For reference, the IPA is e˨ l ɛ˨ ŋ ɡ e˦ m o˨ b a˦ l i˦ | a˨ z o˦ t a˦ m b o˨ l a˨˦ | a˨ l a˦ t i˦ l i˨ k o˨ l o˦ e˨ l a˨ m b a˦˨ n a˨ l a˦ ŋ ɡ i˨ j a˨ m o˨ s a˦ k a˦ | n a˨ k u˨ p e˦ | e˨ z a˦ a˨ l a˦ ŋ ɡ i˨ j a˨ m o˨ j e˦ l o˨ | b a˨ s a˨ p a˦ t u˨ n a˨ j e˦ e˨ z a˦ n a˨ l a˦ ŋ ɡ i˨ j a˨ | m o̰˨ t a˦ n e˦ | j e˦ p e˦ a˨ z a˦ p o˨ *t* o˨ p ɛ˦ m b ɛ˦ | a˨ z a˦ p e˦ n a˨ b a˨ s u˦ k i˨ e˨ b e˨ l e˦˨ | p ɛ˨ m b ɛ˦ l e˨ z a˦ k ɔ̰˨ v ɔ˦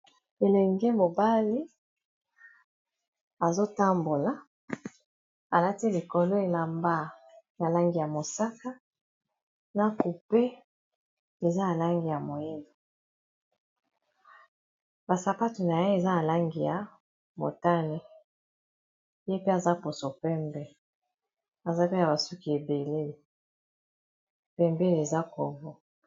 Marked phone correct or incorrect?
incorrect